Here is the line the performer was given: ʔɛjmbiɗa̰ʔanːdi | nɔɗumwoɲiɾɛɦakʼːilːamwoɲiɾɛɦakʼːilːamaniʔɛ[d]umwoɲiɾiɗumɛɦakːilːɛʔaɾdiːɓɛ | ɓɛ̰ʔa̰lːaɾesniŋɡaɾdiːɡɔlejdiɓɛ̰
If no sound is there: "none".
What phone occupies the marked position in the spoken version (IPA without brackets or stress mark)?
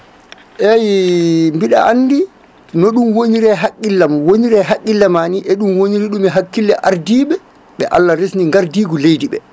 ɗ